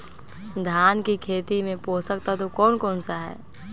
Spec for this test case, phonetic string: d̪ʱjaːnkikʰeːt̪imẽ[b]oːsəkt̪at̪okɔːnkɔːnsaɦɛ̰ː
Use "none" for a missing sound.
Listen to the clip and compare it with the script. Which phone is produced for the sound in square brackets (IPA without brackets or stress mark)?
p